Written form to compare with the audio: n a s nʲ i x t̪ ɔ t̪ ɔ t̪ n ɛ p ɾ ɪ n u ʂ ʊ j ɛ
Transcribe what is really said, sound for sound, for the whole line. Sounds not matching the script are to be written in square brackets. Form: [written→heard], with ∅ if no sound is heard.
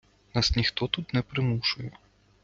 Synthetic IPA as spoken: n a s nʲ i x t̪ ɔ t̪ [ɔ→u] t̪ n ɛ p ɾ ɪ [n→m] u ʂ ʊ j ɛ